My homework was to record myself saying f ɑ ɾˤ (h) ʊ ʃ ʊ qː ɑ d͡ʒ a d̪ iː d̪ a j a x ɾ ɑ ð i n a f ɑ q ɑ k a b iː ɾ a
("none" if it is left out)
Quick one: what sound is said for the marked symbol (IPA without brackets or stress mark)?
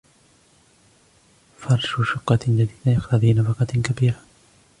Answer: ʃ